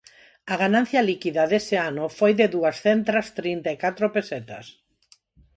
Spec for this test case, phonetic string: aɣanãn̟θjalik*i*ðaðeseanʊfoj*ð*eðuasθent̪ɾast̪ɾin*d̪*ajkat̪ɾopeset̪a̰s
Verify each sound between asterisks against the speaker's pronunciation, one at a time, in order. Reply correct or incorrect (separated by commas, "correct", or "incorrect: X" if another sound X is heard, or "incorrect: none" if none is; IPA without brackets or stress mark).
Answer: correct, correct, incorrect: t̪